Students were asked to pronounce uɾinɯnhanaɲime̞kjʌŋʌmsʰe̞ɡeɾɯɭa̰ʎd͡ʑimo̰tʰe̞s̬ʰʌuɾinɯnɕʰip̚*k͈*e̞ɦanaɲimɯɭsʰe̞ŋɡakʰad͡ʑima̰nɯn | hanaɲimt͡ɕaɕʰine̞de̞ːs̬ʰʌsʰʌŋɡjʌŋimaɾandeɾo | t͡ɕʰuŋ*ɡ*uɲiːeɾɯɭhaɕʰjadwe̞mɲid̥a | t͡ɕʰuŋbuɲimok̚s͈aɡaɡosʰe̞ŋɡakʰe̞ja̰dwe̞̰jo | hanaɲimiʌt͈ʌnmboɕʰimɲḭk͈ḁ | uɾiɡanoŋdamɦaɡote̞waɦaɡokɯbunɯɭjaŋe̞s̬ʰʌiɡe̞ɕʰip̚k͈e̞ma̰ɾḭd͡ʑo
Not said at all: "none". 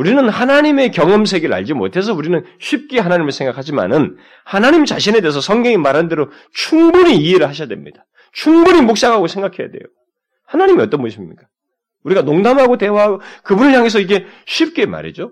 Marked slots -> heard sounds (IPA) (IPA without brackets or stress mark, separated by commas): k͈, b